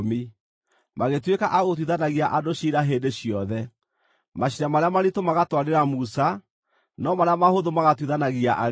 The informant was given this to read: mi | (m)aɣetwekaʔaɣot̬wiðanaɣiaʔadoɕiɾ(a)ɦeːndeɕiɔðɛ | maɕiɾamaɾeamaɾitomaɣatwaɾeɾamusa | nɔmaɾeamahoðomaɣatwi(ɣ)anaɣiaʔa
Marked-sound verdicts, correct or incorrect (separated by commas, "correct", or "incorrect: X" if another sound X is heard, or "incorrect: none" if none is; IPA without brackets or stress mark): correct, correct, incorrect: ð